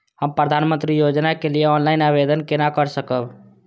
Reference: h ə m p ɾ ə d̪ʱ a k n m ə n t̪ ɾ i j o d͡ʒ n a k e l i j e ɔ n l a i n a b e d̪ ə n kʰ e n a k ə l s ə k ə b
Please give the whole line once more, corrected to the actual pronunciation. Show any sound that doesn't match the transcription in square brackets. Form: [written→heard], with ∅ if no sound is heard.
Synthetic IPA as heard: h ə m p ɾ ə d̪ʱ a [k→∅] n m ə n t̪ ɾ i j o d͡ʒ n a k e l i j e ɔ n l a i n a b e d̪ ə n [kʰ→k] e n a k ə [l→ɾ] s ə k ə b